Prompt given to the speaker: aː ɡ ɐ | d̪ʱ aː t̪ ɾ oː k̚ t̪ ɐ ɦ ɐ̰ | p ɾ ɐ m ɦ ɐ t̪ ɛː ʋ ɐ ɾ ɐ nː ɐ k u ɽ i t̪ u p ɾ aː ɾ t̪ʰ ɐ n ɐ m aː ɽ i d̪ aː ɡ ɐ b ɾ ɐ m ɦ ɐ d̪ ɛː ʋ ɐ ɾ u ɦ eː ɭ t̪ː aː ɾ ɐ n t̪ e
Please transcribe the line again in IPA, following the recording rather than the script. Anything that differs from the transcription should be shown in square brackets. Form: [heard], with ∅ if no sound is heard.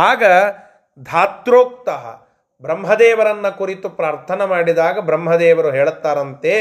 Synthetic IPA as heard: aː ɡ ɐ | d̪ʱ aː t̪ ɾ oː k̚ t̪ ɐ ɦ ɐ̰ | [b] ɾ ɐ m ɦ ɐ [d̪] ɛː ʋ ɐ ɾ ɐ nː ɐ k u [ɾ] i t̪ u p ɾ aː ɾ t̪ʰ ɐ n ɐ m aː ɽ i d̪ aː ɡ ɐ b ɾ ɐ m ɦ ɐ d̪ ɛː ʋ ɐ ɾ u ɦ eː ɭ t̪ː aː ɾ ɐ n t̪ e